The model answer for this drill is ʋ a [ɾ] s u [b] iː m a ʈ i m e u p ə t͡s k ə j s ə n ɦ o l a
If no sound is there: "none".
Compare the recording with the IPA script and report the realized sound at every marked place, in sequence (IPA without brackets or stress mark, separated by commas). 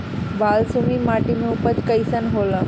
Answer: l, m